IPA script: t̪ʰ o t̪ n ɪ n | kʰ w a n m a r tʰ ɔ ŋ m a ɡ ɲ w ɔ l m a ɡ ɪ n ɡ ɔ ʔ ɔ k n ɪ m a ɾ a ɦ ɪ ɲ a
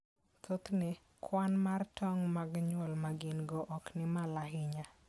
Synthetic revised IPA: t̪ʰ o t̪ n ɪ | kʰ w a n m a r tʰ ɔ ŋ m a ɡ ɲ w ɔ l m a ɡ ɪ n ɡ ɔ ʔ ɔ k n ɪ m a l a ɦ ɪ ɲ a